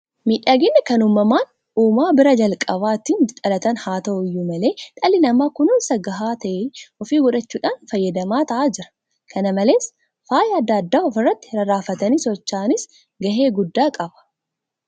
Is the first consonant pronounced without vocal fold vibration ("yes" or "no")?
no